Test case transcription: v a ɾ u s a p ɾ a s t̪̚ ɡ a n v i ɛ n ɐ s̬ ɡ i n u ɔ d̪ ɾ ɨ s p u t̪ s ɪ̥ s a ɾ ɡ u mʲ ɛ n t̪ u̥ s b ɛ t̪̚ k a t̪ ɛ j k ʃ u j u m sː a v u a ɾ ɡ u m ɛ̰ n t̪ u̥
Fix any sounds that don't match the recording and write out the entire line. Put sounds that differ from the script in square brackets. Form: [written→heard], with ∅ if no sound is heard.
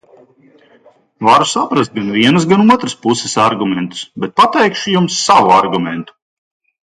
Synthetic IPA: v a ɾ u s a p ɾ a s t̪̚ ɡ a n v i ɛ n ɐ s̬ ɡ [i→a] n u ɔ [d̪→t̪] ɾ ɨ s p u [t̪→∅] s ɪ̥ s a ɾ ɡ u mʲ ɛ n t̪ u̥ s b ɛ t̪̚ [k→p] a t̪ ɛ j k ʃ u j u m sː a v u a ɾ ɡ u m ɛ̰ n t̪ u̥

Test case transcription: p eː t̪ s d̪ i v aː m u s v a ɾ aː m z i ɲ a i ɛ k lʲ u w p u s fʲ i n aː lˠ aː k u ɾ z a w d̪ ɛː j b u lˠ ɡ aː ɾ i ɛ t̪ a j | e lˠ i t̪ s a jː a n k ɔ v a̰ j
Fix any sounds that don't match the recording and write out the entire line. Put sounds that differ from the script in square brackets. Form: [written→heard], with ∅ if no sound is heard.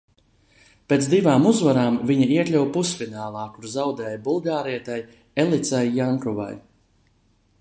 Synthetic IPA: p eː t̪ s d̪ i v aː m u [s→z] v a ɾ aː m [z→v] i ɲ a i ɛ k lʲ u w p u s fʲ i n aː lˠ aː k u ɾ z a w d̪ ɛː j b u lˠ ɡ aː ɾ i ɛ t̪ a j | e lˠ i t̪ s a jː a [n→ŋ] k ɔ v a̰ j

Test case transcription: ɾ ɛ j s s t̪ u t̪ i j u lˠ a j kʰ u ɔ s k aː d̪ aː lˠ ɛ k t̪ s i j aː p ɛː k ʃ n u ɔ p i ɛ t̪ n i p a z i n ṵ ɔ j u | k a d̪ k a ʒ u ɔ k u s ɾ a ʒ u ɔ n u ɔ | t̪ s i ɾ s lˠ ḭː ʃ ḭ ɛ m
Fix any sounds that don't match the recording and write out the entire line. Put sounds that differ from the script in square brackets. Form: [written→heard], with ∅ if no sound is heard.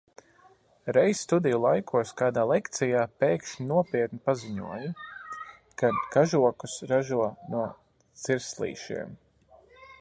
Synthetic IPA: ɾ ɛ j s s t̪ u [t̪→d̪] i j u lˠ a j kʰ u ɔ s k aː d̪ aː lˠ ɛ k t̪ s i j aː p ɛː k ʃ n u ɔ p i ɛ t̪ n i p a z i [n→ɲ] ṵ ɔ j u | k a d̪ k a ʒ u ɔ k u s ɾ a ʒ u ɔ n u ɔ | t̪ s i ɾ s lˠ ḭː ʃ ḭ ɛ m

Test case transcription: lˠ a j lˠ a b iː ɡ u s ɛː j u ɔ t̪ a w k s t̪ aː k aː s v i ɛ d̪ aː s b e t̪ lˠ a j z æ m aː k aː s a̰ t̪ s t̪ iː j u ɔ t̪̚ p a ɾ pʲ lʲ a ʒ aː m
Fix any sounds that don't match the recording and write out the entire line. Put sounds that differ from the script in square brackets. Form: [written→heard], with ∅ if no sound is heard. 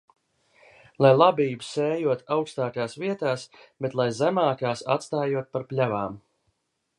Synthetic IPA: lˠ a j lˠ a b iː [ɡ→b] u s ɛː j u ɔ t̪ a w k s t̪ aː k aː s v i ɛ [d̪→t̪] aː s b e t̪ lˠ a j z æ m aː k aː s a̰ t̪ s t̪ [iː→aː] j u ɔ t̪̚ p a ɾ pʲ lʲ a [ʒ→v] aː m

